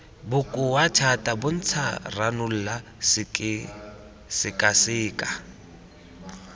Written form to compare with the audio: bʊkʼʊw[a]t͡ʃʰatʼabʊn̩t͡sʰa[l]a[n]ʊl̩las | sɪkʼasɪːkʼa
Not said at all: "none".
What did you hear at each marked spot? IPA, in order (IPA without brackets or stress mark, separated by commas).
a, r, n